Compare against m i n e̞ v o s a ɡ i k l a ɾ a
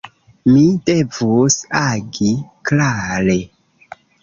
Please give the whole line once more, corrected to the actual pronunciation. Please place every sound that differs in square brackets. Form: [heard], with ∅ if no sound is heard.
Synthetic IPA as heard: m i [d] e̞ v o s a ɡ i k l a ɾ [e]

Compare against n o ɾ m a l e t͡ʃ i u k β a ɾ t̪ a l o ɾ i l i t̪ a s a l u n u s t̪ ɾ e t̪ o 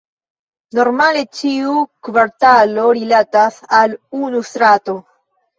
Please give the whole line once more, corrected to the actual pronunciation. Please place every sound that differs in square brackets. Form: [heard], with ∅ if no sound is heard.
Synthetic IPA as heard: n o ɾ m a l e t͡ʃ i u k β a ɾ t̪ a l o ɾ i l [a] t̪ a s a l u n u s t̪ ɾ [a] t̪ o

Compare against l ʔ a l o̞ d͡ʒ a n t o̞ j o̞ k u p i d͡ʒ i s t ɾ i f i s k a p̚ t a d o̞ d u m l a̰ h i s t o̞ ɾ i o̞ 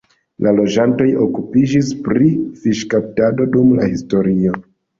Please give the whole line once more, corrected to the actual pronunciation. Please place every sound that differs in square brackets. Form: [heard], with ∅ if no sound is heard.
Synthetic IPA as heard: l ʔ a l o̞ d͡ʒ a n t o̞ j o̞ k u p i d͡ʒ i s [p] ɾ i f i [ʃ] k a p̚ t a d o̞ d u m l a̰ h i s t o̞ ɾ i o̞

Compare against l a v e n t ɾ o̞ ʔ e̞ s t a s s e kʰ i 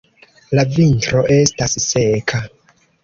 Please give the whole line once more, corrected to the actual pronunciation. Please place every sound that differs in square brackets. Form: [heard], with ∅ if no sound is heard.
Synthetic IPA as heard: l a v [i] n t ɾ o̞ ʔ e̞ s t a s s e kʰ [a]

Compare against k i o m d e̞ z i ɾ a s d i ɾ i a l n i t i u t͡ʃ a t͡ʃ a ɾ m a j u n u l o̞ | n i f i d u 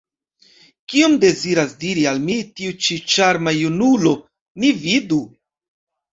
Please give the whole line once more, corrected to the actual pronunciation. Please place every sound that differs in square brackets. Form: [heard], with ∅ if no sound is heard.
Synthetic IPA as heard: k i o m d e̞ z i ɾ a s d i ɾ i a l [m] i t i u t͡ʃ [i] t͡ʃ a ɾ m a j u n u l o̞ | n i [v] i d u

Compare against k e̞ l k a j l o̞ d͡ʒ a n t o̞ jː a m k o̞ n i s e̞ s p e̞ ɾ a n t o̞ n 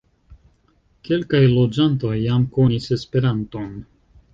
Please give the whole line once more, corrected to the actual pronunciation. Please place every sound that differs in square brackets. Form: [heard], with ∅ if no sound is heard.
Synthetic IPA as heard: k e̞ l k a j l o̞ d͡ʒ a n t o̞ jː a m k o̞ n i s e̞ s p e̞ ɾ a n t o̞ n

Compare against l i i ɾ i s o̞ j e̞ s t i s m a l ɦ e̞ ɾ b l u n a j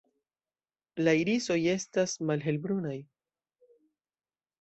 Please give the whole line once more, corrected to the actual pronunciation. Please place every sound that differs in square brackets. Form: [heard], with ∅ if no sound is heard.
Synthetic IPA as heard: l [a] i ɾ i s o̞ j e̞ s t [a] s m a l ɦ e̞ [l] b [ɾ] u n a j

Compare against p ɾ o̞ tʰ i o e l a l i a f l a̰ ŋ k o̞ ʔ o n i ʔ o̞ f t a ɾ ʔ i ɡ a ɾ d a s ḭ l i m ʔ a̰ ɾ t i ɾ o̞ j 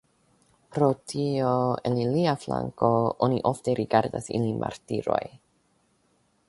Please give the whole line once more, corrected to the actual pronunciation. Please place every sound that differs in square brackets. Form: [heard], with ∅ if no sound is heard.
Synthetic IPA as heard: p ɾ o̞ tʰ i o e l [i] l i a f l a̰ ŋ k o̞ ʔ o n i ʔ o̞ f t [e] ɾ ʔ i ɡ a ɾ d a s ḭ l i m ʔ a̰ ɾ t i ɾ o̞ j

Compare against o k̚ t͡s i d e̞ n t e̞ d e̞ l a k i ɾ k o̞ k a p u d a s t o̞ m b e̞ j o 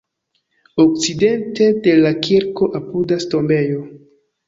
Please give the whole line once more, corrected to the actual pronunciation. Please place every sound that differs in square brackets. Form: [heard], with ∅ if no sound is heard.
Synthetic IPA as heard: o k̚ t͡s i d e̞ n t e̞ d e̞ l a k i ɾ k o̞ [ʔ] a p u d a s t o̞ m b e̞ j o

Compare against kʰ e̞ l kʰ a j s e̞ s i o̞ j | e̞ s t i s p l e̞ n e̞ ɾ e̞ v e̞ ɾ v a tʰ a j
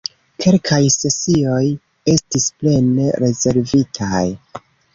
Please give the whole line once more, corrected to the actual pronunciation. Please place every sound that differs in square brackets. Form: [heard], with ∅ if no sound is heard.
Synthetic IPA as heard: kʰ e̞ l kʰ a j s e̞ s i o̞ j | e̞ s t i s p l e̞ n e̞ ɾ e̞ [z] e̞ ɾ v [i] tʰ a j

